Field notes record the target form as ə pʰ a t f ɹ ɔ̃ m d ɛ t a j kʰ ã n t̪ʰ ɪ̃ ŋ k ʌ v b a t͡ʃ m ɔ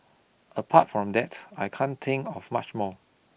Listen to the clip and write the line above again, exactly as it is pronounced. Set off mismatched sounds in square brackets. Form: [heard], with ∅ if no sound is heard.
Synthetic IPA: ə pʰ a t f ɹ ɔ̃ m d ɛ t a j kʰ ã n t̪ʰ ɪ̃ ŋ k [ɔ] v [m] a t͡ʃ m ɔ